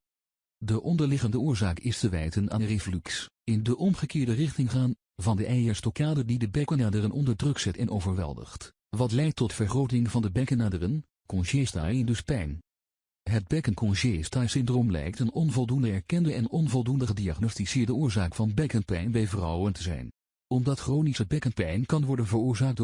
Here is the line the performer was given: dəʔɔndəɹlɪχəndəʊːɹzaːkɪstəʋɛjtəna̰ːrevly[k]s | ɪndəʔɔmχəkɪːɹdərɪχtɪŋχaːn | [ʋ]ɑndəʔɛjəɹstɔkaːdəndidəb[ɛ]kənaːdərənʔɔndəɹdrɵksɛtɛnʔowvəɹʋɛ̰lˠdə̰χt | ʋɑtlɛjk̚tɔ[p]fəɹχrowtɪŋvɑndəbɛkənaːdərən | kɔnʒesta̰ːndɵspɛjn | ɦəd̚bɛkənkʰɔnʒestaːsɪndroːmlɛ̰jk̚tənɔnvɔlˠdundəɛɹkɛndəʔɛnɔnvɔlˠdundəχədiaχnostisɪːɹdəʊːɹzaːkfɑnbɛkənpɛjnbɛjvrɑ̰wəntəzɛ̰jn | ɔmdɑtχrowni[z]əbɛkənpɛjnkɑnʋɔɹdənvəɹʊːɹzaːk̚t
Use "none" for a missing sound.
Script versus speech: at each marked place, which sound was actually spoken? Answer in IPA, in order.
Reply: k, v, ɛ, t, s

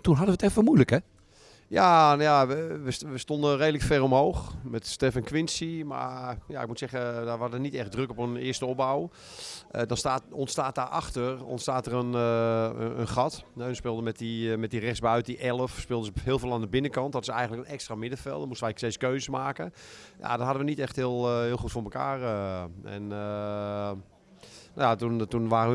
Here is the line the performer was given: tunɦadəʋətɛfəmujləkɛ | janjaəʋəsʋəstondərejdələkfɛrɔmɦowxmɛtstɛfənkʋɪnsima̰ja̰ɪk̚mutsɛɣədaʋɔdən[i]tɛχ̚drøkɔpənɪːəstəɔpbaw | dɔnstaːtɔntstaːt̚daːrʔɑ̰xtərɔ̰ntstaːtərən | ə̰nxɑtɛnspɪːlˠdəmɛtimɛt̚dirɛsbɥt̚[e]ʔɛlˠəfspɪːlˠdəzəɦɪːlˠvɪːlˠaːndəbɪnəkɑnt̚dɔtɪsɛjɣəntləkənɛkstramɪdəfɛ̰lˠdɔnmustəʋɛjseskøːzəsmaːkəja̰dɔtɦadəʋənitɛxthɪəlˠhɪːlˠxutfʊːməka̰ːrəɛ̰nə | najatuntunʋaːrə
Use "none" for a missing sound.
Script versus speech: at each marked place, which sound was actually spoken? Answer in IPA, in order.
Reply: i, i

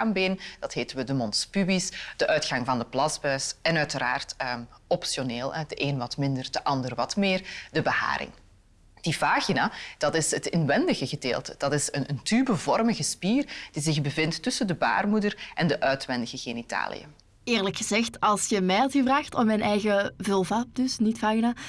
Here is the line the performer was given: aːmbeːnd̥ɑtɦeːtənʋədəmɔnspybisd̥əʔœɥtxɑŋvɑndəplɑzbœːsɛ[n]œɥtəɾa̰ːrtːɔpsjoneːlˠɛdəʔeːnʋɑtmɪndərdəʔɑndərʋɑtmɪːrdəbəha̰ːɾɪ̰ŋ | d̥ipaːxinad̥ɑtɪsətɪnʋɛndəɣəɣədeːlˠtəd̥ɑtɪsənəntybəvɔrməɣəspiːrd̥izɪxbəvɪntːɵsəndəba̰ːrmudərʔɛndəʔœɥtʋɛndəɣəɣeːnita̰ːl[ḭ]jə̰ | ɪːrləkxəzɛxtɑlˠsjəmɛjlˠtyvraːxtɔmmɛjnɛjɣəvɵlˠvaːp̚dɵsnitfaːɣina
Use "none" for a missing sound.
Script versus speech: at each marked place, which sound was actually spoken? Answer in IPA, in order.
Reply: n, ḭ

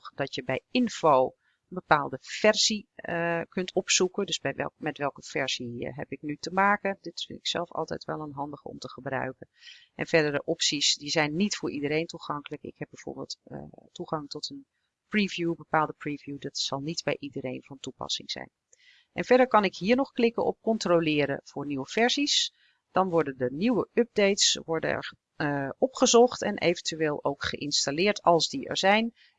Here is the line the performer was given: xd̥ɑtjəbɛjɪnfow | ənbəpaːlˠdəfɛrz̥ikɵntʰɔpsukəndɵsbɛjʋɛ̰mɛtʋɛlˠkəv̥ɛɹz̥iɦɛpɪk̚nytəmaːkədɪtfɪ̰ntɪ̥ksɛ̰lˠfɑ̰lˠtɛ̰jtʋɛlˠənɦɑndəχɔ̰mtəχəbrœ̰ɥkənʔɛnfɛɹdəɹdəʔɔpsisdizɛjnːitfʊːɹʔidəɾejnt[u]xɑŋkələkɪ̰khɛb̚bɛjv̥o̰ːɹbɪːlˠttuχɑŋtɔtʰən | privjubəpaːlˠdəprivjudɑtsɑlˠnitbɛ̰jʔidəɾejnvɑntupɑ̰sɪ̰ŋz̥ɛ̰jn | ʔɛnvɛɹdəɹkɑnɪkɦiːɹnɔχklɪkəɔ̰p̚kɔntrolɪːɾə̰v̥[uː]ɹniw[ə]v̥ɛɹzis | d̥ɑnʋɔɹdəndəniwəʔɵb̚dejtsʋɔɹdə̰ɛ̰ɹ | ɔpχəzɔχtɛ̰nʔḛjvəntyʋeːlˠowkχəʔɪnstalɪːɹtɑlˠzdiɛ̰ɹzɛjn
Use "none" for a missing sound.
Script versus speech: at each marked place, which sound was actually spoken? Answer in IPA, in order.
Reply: u, ʊː, ə

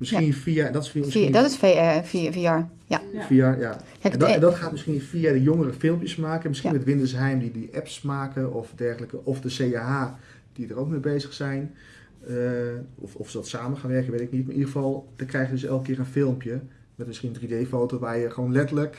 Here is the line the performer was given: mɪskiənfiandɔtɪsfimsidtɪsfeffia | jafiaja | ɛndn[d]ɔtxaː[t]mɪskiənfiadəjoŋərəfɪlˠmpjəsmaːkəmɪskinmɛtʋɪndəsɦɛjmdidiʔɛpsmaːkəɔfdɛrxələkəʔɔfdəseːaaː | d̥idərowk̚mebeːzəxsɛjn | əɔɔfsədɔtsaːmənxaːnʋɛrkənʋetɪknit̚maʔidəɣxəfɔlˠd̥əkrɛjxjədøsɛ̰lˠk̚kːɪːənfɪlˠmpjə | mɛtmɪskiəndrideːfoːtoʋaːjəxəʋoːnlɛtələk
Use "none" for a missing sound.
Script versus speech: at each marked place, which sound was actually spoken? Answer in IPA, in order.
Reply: d, t

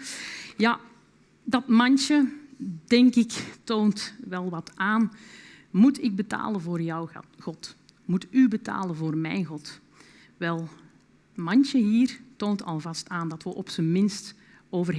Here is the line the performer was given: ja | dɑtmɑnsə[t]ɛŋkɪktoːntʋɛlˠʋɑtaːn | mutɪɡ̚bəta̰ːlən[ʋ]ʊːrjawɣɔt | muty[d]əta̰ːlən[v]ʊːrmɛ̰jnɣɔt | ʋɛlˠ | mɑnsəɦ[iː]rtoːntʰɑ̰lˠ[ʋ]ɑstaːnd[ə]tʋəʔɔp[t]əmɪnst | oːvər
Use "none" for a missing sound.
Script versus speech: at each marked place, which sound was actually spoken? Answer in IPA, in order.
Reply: d, v, b, v, iː, v, ɑ, s

